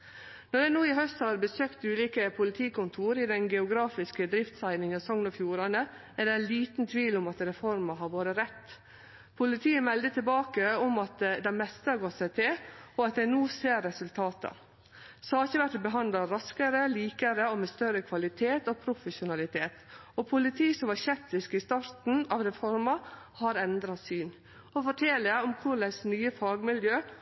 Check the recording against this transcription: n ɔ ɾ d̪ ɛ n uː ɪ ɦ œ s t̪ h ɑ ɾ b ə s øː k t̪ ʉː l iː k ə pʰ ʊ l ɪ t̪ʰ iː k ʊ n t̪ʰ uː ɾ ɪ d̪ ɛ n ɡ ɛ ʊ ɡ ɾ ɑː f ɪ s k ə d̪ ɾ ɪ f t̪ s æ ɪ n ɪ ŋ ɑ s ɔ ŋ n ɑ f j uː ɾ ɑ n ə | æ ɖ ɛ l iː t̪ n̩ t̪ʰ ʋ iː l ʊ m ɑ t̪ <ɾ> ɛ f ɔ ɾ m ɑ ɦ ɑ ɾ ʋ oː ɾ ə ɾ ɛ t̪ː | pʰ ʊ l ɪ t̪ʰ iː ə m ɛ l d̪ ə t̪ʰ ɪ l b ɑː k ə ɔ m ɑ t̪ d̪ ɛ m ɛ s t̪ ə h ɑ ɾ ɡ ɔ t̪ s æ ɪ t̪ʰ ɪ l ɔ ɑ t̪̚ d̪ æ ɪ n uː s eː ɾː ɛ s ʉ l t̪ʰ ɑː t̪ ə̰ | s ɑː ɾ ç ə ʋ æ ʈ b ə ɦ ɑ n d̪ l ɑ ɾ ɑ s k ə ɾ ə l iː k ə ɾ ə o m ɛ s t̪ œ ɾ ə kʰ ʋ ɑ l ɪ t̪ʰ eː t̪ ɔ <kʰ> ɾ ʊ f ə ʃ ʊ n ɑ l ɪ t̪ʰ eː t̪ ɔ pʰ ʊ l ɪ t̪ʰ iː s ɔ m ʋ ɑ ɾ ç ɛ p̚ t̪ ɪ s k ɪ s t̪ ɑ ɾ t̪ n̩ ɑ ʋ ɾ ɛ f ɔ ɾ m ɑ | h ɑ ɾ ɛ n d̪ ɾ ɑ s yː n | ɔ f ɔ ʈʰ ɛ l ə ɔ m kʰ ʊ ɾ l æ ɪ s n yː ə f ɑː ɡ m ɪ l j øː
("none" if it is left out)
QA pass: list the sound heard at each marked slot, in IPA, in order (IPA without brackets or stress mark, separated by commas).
ɾ, pʰ